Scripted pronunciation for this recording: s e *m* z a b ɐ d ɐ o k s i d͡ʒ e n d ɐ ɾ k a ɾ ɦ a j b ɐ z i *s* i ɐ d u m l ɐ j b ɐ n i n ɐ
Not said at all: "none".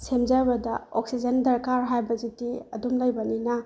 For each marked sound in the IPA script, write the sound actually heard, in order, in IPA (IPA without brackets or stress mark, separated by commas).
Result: m, t